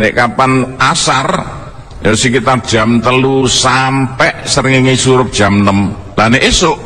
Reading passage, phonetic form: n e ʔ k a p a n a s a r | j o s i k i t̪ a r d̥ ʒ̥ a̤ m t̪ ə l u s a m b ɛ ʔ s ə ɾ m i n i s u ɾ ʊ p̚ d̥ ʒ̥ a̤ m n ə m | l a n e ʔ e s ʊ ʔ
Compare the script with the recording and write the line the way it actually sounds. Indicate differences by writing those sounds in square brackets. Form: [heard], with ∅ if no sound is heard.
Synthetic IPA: n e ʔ k a p a n a s a r | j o s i k i t̪ a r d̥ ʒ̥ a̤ m t̪ ə l u s a m [p] ɛ ʔ s ə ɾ [ŋ] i [ŋ] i s u ɾ ʊ p̚ d̥ ʒ̥ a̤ m n ə m | l a n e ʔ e s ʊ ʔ